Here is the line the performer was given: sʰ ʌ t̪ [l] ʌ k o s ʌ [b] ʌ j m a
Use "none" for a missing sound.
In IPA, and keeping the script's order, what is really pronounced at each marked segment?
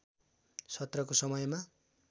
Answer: r, m

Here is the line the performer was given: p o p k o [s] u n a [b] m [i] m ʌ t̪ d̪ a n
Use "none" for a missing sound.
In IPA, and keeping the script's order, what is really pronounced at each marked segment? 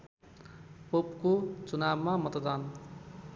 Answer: t͡s, b, a

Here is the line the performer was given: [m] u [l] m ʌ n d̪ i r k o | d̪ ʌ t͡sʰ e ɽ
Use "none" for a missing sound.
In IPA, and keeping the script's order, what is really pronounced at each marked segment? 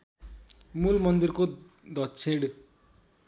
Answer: m, l

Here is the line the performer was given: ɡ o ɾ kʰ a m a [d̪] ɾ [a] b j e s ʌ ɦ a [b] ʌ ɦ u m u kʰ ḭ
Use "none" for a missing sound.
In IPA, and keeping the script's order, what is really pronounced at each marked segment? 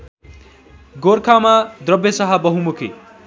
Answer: d̪, ʌ, b

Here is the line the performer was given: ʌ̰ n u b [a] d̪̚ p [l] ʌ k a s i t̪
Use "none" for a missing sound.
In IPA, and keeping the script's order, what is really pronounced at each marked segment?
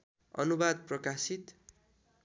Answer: a, r

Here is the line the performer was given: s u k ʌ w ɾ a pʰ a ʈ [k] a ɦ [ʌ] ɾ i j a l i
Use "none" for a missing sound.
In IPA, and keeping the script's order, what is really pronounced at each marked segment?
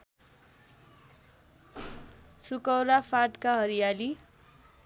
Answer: k, ʌ

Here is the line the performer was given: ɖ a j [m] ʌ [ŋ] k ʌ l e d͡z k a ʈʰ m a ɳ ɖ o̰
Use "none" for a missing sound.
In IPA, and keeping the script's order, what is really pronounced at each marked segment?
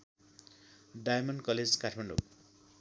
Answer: m, n

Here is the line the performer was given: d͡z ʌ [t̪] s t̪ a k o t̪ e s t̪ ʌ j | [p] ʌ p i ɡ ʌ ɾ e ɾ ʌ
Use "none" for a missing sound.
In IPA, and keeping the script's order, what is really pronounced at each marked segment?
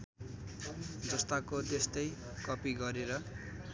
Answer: none, k

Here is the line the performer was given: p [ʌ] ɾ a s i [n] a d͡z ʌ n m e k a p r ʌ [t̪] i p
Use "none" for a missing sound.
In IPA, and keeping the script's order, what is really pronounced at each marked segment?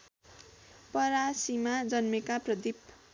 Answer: ʌ, m, d̪

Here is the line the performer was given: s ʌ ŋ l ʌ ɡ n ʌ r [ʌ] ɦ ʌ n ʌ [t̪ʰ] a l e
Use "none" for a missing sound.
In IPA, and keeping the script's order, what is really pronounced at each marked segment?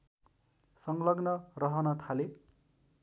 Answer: ʌ, t̪ʰ

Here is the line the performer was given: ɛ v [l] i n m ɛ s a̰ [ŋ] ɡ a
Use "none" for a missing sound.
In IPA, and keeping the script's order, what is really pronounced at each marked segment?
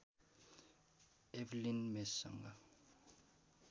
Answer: l, ŋ

